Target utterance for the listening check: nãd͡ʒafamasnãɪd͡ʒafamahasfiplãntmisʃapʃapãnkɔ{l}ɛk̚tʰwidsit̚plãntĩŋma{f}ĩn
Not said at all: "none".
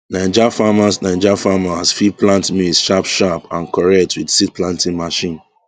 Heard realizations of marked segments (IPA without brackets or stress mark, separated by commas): ɹ, ʃ